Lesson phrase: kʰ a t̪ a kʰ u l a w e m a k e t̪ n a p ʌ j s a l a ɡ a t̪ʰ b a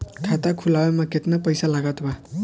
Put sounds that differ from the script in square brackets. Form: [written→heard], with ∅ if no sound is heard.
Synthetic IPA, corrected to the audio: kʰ a t̪ a kʰ u l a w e m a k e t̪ n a p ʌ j s a l a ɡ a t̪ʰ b a